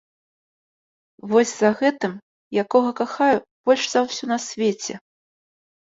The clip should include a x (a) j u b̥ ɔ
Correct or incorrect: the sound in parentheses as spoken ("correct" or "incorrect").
correct